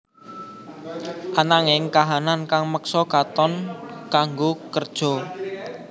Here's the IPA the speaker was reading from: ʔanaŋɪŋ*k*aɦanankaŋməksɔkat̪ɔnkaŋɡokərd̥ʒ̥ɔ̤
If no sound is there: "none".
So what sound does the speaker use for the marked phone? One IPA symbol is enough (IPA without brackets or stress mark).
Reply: k